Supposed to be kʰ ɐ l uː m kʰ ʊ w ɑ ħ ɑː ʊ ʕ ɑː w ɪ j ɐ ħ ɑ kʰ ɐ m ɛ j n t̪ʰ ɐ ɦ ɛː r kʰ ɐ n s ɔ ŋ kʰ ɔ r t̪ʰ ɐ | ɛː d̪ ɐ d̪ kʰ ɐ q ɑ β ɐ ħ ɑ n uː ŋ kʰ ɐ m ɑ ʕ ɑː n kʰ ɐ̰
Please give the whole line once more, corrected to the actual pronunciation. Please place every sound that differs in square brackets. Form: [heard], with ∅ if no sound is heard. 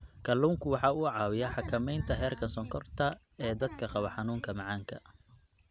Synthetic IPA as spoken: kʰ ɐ l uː [ŋ] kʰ ʊ w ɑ ħ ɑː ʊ ʕ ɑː w ɪ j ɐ ħ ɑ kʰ ɐ m ɛ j n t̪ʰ ɐ ɦ ɛː r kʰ ɐ n s ɔ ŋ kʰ ɔ r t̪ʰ ɐ | ɛː d̪ ɐ d̪ kʰ ɐ q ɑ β ɐ ħ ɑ n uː ŋ kʰ ɐ m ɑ ʕ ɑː [ŋ] kʰ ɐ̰

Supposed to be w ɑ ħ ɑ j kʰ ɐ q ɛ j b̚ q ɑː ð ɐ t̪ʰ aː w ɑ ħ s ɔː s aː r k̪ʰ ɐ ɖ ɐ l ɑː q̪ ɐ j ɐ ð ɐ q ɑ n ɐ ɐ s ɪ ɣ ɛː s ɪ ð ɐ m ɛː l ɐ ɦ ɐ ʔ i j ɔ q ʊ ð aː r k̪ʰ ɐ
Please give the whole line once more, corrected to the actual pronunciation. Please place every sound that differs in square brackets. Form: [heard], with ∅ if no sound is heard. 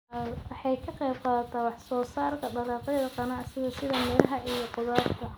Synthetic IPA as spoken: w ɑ ħ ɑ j kʰ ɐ q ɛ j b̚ q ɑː ð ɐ t̪ʰ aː w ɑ ħ s ɔː s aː r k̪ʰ ɐ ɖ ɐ l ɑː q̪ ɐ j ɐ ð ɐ q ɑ n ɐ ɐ s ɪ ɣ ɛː s ɪ ð ɐ m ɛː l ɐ ɦ ɐ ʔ i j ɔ q ʊ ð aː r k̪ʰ ɐ

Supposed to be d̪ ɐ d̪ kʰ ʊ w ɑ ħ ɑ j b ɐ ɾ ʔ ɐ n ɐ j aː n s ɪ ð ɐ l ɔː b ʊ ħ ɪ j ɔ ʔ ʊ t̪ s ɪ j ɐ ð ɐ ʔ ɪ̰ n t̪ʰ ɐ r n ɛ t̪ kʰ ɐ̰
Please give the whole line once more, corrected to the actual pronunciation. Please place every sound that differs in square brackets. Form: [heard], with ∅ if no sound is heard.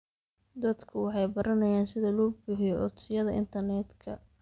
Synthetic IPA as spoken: d̪ ɐ d̪ kʰ ʊ w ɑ ħ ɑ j b ɐ ɾ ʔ ɐ n ɐ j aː n s ɪ ð ɐ l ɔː b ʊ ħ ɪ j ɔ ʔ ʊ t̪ s ɪ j ɐ ð ɐ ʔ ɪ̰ n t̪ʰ ɐ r n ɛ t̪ kʰ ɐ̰

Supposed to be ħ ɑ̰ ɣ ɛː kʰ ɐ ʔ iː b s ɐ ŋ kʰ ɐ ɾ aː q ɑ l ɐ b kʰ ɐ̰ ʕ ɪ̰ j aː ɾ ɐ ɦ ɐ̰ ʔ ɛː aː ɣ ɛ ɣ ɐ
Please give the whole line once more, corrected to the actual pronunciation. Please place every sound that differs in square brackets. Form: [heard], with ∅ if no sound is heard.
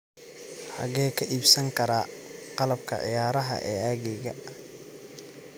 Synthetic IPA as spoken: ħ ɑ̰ ɣ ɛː kʰ ɐ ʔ iː b s ɐ ŋ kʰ ɐ ɾ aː q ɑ l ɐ b kʰ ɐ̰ ʕ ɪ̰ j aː ɾ ɐ ɦ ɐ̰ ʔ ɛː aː ɣ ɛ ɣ ɐ

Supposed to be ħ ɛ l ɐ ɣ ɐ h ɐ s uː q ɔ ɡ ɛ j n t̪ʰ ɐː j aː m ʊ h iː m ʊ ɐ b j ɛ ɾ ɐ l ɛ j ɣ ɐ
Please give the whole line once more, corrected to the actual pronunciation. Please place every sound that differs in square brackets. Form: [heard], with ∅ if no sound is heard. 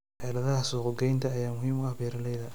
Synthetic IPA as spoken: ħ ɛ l ɐ [ð] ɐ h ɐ s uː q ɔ ɡ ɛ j n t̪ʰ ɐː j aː m ʊ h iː m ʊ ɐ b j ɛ ɾ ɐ l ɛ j [ð] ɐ

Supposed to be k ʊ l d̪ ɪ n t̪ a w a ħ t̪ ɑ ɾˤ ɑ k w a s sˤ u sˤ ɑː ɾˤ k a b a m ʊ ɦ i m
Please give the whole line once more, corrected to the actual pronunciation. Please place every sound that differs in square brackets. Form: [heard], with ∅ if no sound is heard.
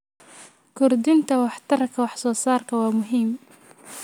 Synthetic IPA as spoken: k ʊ [ɾ] d̪ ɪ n t̪ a w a ħ t̪ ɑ ɾˤ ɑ k w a [ħ] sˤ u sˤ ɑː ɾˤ k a [w] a m ʊ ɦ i m

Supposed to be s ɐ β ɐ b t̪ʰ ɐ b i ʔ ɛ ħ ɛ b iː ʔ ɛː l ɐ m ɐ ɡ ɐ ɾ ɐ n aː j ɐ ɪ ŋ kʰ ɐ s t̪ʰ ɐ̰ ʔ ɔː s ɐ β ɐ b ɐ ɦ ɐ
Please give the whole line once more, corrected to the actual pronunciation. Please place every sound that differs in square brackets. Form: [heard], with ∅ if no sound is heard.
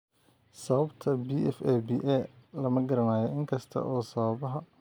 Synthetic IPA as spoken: s ɐ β ɐ b t̪ʰ ɐ b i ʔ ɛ [f] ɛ b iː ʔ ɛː l ɐ m ɐ ɡ ɐ ɾ ɐ n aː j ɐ ɪ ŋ kʰ ɐ s t̪ʰ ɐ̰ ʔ ɔː s ɐ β ɐ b ɐ ɦ ɐ

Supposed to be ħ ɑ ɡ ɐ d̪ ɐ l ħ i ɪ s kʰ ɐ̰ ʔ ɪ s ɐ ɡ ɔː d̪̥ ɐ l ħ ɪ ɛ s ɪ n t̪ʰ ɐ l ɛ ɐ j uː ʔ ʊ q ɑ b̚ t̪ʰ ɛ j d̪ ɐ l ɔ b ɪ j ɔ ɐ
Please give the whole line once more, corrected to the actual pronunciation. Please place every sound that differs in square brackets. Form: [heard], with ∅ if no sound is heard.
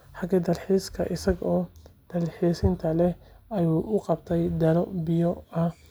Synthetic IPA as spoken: ħ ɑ ɡ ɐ d̪ ɐ l ħ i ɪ s kʰ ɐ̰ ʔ ɪ s ɐ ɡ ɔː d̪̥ ɐ l ħ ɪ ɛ s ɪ n t̪ʰ ɐ l ɛ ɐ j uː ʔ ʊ q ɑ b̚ t̪ʰ ɛ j d̪ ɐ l ɔ b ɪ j ɔ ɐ

